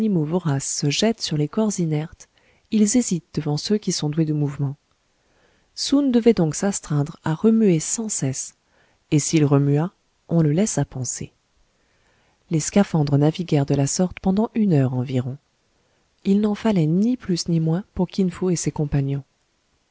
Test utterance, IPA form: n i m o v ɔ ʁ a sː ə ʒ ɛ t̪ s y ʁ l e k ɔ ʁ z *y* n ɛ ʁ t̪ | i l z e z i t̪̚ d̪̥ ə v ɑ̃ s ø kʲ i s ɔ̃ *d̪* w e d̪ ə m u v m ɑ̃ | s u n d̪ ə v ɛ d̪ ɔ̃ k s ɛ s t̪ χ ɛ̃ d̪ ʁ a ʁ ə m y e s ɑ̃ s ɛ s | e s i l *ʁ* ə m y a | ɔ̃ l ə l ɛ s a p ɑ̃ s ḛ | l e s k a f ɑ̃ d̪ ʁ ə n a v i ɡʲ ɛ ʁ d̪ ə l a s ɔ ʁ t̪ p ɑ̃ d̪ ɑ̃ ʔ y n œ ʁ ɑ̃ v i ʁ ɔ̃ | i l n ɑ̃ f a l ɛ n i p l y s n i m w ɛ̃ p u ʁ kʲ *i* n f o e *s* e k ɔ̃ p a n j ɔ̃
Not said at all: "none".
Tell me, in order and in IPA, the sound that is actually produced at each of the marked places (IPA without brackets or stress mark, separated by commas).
i, d̪, ʁ, i, s